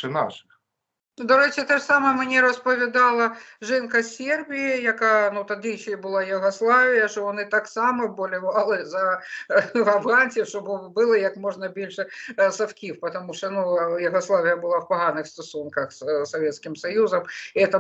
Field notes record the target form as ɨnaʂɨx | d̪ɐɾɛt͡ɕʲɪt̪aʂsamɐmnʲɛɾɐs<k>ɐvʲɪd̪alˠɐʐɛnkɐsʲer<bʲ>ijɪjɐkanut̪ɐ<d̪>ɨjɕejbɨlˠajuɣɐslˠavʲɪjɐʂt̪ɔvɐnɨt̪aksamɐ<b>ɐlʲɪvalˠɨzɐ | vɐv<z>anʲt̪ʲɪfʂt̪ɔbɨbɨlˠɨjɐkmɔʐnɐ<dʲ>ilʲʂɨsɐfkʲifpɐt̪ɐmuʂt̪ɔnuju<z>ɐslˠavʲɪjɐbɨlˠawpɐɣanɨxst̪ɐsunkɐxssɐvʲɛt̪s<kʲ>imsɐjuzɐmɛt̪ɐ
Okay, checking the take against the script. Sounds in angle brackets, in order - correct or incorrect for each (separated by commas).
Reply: incorrect, correct, correct, correct, incorrect, incorrect, incorrect, correct